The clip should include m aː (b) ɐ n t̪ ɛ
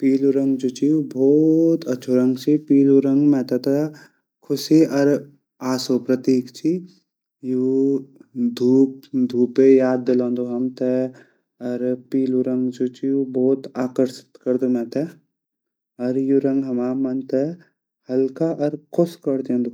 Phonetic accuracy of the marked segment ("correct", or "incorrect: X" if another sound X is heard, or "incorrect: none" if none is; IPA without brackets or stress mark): incorrect: m